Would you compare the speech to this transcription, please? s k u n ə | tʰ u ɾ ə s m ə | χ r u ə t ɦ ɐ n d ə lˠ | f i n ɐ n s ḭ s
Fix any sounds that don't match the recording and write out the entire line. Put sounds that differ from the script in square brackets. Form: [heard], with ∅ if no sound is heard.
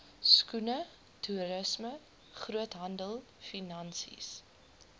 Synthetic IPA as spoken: s k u n ə | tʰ u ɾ ə s m ə | χ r u ə t ɦ ɐ n d ə lˠ | f i n ɐ n s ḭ s